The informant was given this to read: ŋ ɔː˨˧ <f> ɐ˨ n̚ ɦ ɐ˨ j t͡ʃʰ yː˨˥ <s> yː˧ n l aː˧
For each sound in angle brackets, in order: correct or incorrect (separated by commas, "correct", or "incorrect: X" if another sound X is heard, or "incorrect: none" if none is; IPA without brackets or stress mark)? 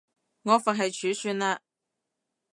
correct, correct